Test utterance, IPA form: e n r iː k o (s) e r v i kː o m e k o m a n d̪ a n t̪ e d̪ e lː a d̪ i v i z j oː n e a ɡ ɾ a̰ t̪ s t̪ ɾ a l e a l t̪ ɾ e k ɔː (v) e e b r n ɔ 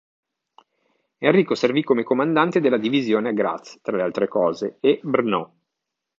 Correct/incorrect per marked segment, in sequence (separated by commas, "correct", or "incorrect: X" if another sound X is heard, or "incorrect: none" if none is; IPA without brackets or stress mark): correct, incorrect: z